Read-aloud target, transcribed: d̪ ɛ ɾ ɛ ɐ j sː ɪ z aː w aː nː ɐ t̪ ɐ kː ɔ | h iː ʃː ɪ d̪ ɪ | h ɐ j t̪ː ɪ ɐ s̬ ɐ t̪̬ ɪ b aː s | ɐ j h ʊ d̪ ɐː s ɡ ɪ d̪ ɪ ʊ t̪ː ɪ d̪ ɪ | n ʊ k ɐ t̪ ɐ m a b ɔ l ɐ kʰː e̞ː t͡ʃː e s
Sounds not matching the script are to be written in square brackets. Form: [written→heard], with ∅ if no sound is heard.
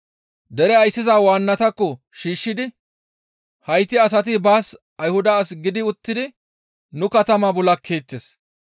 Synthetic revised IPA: d̪ ɛ ɾ ɛ ɐ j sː ɪ z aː w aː nː ɐ t̪ ɐ kː ɔ | [h→ʃ] iː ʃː ɪ d̪ ɪ | h ɐ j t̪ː ɪ ɐ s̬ ɐ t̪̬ ɪ b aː s | ɐ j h ʊ d̪ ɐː s ɡ ɪ d̪ ɪ ʊ t̪ː ɪ d̪ ɪ | n ʊ k ɐ t̪ ɐ m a b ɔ l ɐ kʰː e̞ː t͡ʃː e s